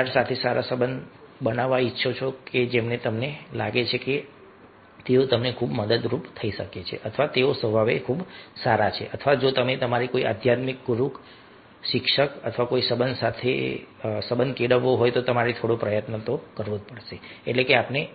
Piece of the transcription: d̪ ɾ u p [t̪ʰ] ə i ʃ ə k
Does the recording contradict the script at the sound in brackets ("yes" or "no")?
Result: no